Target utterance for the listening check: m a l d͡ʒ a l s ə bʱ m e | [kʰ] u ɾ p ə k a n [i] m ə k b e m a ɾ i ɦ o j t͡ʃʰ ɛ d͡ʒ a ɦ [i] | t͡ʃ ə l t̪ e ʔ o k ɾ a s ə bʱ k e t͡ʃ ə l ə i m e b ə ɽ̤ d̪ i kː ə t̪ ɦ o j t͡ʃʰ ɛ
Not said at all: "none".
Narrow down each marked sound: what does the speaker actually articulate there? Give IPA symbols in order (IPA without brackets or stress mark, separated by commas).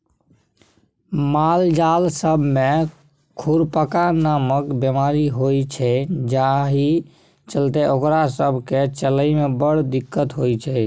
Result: kʰ, a, i